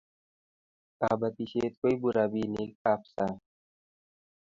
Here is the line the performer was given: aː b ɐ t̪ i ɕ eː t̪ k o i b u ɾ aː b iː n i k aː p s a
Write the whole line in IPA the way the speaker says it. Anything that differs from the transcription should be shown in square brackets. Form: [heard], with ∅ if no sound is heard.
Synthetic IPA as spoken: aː b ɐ t̪ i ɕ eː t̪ k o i b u ɾ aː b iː n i k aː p s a